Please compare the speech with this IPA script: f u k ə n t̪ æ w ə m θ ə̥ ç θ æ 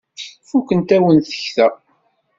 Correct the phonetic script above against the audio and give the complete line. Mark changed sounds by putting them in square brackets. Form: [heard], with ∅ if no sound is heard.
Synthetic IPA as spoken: f u k ə n t̪ æ w ə [n] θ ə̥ ç θ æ